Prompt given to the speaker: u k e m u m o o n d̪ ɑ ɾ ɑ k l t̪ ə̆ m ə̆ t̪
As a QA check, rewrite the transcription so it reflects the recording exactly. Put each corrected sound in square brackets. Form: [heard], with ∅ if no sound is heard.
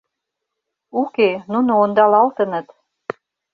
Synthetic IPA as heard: u k e [n] u [n] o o n d̪ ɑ [l] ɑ [∅] l t̪ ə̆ [n] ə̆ t̪